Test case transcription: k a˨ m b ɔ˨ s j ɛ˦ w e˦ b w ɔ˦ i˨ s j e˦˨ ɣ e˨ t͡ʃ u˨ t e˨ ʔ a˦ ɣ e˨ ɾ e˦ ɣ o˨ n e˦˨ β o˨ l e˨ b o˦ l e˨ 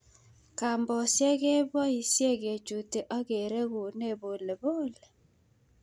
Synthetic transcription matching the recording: k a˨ m b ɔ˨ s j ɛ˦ ɣ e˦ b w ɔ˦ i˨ s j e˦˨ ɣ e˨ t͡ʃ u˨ t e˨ ʔ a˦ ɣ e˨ ɾ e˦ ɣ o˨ n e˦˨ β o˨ l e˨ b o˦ l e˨